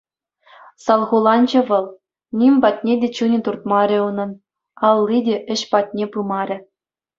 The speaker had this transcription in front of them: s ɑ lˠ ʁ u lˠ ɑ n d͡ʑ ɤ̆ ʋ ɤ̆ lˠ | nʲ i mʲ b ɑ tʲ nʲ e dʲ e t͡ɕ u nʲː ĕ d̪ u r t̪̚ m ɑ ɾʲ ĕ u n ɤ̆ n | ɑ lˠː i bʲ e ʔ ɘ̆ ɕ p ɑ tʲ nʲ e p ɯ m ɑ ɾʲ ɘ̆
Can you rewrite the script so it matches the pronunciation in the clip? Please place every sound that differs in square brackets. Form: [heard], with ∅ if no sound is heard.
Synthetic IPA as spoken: s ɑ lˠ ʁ u lˠ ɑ n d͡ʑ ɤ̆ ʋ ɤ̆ lˠ | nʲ i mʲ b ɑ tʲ nʲ e dʲ e t͡ɕ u [nʲ] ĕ [t̪] u r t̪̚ m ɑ ɾʲ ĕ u n ɤ̆ n | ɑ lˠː i [dʲ] e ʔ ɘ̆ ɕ p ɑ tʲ nʲ e p ɯ m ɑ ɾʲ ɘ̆